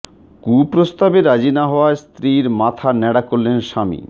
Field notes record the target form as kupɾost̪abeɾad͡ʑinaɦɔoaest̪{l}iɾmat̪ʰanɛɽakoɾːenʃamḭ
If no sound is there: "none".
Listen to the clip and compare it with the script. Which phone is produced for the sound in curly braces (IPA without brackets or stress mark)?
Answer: ɾ